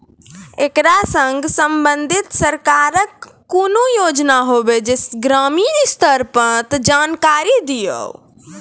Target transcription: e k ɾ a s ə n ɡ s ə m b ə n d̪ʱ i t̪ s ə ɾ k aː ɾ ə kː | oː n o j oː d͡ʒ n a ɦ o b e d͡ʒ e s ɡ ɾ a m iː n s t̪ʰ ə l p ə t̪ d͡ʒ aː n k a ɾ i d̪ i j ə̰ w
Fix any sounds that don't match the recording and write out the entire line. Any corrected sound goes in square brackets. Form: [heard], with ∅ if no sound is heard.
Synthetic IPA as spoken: e k ɾ a s ə [ŋ] ɡ s ə m b ə n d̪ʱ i t̪ s ə ɾ k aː ɾ ə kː | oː n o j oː d͡ʒ n a ɦ o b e d͡ʒ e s ɡ ɾ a m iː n s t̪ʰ ə [ɾ] p ə t̪ d͡ʒ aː n k a ɾ i d̪ i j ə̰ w